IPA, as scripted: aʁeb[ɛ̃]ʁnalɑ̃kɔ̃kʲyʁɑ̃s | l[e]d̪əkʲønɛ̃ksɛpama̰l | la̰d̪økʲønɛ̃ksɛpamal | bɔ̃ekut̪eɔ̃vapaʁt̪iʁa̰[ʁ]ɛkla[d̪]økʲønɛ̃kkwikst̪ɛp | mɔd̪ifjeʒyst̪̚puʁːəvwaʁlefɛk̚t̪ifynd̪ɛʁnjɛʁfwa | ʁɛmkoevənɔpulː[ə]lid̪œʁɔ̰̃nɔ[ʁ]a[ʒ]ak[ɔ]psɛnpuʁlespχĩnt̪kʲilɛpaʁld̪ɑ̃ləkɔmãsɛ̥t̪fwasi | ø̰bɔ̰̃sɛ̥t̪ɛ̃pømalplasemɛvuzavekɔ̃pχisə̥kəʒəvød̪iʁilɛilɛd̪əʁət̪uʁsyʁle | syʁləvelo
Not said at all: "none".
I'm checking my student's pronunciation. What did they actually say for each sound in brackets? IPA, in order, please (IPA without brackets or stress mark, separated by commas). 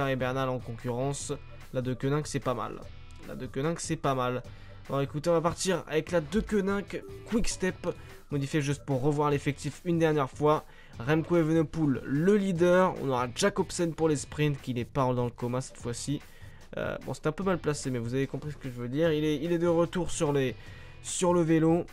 ɛ, a, v, d̪, ə, ʁ, ʒ, ɔ